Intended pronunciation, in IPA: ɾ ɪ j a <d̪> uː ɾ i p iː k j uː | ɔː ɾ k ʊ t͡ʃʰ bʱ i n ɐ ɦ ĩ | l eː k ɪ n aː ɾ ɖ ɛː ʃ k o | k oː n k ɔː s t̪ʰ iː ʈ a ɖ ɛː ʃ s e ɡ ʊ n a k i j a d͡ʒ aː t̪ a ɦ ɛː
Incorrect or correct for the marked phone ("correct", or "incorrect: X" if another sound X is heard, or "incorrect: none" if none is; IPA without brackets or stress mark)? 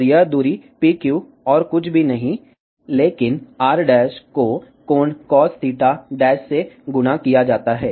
correct